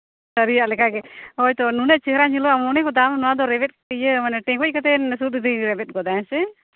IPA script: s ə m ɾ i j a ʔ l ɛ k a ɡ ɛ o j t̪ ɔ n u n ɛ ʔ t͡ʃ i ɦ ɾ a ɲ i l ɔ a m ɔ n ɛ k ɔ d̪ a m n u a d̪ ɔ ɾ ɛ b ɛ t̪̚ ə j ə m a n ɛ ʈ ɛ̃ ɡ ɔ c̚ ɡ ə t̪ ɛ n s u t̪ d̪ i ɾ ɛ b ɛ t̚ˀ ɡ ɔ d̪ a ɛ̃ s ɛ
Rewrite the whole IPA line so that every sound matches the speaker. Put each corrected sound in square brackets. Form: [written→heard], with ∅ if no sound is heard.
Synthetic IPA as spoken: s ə [m→∅] ɾ i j a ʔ l ɛ k a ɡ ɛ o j t̪ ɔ n u n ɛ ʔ t͡ʃ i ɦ ɾ a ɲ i l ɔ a m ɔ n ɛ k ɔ d̪ a m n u a d̪ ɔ ɾ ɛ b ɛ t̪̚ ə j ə m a n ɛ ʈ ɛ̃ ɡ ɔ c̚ [ɡ→k] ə t̪ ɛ n s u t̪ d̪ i ɾ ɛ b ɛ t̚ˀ ɡ ɔ d̪ a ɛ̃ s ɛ

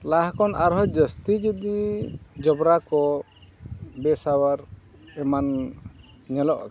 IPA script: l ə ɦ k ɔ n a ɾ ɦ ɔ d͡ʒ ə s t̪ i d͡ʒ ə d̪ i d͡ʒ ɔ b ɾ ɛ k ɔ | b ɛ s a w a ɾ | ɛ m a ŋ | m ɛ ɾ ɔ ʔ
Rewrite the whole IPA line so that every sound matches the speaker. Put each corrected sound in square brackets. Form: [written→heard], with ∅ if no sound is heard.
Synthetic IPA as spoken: l [ə→a] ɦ k ɔ n a ɾ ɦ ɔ d͡ʒ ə s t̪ i d͡ʒ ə d̪ i d͡ʒ ɔ b ɾ [ɛ→a] k ɔ | b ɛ s a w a ɾ | ɛ m a [ŋ→n] | [m→ɲ] ɛ [ɾ→l] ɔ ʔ

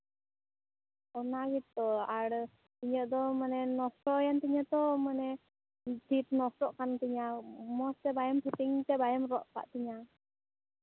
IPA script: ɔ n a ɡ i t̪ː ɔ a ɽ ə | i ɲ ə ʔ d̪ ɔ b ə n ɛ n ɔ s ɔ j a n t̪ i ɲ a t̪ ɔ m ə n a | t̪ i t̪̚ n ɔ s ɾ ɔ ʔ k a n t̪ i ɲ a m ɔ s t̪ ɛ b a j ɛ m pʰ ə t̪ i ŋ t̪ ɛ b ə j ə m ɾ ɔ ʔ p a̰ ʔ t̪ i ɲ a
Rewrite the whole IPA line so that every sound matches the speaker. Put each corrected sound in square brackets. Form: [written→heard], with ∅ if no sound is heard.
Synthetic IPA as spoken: ɔ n a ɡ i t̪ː ɔ a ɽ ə | i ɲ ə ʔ d̪ ɔ [b→m] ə n ɛ n ɔ s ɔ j a n t̪ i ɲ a t̪ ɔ m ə n [a→ɛ] | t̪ i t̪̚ n ɔ s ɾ ɔ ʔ k a n t̪ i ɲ a m ɔ s t̪ ɛ b a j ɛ m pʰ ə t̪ i ŋ t̪ ɛ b [ə→a] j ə m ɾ ɔ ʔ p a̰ ʔ t̪ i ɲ a

